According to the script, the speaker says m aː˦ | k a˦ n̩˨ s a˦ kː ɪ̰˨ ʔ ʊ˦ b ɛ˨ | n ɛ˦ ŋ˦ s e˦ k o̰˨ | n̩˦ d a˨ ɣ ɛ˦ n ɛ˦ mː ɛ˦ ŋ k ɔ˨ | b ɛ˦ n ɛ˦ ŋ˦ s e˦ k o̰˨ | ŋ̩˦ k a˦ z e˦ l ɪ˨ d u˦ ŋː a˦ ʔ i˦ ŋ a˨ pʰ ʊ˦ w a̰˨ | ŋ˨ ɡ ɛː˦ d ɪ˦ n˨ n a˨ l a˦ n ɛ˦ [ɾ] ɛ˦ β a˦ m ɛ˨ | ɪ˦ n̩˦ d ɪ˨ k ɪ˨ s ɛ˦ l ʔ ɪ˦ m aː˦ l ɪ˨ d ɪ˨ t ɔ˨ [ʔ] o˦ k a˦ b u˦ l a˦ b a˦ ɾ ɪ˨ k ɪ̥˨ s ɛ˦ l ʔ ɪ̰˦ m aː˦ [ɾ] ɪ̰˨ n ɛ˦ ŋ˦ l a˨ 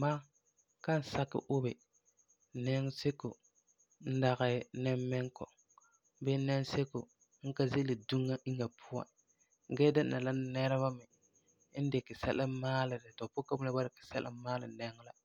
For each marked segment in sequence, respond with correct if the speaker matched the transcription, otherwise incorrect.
correct, incorrect, incorrect

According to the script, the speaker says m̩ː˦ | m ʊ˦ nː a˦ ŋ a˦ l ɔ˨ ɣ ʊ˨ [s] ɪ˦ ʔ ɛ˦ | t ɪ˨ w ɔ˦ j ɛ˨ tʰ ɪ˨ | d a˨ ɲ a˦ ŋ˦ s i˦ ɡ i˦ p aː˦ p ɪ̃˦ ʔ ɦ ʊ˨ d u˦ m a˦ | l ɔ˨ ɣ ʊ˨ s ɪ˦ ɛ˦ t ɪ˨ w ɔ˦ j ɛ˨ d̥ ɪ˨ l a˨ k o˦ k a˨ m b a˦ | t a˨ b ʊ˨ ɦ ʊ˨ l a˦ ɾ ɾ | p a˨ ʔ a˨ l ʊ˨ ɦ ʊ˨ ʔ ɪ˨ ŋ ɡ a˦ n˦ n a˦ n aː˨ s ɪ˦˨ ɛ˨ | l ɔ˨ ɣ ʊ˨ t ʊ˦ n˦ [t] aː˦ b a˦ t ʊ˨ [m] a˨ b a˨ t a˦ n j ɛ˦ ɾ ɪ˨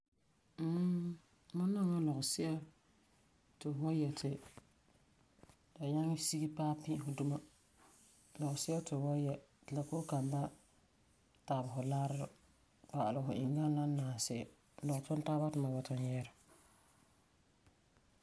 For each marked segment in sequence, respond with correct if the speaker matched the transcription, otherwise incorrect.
correct, correct, correct

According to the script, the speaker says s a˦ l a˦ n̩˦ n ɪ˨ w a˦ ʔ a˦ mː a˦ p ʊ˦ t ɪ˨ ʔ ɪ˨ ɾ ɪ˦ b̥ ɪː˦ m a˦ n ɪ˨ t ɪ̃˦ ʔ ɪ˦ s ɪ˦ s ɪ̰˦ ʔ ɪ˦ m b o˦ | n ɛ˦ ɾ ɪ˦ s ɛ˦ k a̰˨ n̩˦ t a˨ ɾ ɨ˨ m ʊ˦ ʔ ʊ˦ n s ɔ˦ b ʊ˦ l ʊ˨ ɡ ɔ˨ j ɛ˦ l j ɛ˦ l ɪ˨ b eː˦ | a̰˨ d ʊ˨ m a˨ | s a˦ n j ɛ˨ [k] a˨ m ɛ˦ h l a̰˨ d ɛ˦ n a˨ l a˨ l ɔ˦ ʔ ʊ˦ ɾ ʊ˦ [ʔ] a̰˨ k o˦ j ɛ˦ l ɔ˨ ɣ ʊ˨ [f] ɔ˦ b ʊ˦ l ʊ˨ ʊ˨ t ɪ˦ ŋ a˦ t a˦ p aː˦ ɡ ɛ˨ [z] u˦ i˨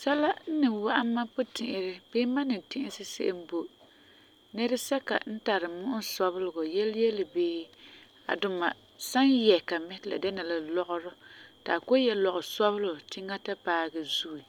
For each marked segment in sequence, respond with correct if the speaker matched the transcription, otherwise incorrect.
correct, incorrect, incorrect, correct

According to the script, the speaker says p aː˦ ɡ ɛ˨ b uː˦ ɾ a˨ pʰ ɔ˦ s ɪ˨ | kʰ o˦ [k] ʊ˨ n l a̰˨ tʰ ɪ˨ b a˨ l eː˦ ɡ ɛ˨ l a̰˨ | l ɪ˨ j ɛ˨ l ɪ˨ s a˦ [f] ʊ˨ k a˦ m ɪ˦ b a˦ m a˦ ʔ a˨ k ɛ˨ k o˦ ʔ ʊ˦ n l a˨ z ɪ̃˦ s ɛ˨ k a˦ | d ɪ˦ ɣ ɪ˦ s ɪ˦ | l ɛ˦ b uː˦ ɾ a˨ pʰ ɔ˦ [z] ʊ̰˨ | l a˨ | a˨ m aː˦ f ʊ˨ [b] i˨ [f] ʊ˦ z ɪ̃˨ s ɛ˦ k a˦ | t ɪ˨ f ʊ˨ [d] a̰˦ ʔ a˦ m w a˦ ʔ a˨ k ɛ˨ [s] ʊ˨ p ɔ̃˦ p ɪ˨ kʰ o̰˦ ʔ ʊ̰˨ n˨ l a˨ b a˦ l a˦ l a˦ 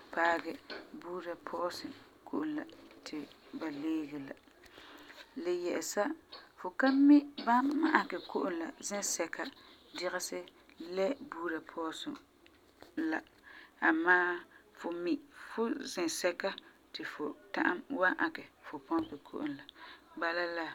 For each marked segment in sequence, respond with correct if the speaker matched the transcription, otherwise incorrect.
incorrect, correct, incorrect, incorrect, correct, incorrect, incorrect

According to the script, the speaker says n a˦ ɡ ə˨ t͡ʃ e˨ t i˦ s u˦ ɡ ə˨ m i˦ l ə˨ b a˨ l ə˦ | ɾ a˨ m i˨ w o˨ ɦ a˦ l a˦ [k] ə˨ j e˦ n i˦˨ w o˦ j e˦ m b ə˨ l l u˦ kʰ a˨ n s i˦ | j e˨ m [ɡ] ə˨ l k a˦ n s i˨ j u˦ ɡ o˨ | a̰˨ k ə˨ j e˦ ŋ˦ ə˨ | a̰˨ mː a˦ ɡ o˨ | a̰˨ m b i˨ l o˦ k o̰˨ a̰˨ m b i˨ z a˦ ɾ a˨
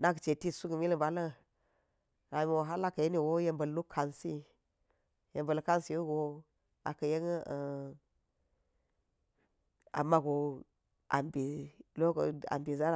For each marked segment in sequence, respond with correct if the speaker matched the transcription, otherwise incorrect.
correct, incorrect

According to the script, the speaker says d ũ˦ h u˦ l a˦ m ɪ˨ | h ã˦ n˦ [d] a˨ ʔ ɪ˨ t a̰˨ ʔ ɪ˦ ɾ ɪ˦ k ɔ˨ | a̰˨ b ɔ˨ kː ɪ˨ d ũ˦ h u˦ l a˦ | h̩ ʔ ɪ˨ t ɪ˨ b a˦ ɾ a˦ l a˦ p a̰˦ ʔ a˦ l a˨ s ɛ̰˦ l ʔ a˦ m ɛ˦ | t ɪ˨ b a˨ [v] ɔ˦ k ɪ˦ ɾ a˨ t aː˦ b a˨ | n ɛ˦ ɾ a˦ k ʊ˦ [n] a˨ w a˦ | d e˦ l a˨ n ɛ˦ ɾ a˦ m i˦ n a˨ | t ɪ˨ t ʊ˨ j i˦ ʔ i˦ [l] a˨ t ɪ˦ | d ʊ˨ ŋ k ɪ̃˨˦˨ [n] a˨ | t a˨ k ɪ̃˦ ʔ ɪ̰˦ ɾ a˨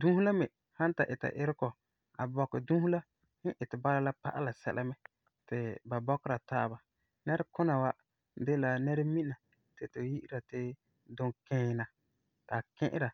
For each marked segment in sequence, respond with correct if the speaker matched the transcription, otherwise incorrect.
incorrect, incorrect, correct, incorrect, correct

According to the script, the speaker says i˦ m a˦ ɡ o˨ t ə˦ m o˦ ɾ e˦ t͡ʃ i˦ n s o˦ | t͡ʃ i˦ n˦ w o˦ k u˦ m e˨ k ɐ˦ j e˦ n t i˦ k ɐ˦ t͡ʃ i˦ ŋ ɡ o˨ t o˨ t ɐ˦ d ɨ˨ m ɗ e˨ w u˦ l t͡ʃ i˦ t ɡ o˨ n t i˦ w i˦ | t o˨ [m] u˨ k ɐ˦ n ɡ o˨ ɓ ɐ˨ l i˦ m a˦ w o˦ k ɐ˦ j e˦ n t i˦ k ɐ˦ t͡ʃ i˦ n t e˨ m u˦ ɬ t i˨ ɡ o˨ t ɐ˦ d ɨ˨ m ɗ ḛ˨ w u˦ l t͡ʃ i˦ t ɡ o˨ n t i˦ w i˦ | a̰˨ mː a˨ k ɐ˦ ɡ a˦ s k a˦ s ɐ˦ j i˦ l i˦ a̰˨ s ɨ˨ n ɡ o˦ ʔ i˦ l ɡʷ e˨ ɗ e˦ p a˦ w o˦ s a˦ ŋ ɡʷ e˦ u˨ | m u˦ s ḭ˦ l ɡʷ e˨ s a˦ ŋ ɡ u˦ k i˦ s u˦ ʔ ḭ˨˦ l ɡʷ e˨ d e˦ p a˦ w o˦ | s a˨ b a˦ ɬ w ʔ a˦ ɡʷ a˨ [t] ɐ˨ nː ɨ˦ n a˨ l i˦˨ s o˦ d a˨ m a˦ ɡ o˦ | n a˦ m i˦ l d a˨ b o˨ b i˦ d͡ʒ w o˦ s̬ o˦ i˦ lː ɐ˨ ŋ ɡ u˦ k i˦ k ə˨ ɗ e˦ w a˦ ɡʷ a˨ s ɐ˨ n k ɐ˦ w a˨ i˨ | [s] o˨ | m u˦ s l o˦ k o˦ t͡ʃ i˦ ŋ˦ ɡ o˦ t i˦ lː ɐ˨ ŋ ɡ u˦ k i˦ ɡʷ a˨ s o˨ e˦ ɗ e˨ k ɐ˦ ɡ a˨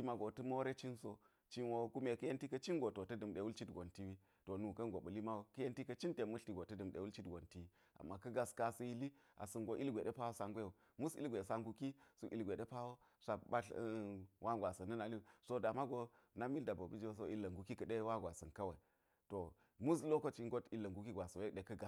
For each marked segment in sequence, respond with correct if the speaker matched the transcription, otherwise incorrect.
incorrect, incorrect, incorrect

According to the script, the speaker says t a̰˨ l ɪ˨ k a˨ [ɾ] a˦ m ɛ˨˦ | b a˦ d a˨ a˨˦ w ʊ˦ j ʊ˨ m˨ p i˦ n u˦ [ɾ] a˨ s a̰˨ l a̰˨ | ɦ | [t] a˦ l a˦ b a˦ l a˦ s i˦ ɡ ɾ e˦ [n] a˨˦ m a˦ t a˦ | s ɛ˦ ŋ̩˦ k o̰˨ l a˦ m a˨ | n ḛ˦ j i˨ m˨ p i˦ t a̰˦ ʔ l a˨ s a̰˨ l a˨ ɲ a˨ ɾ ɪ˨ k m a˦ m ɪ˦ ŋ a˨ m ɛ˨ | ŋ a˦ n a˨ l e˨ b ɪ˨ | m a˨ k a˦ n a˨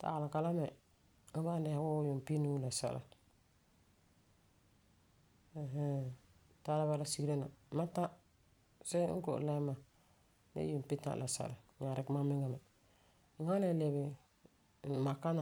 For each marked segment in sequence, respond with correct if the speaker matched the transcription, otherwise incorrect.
incorrect, incorrect, correct, correct

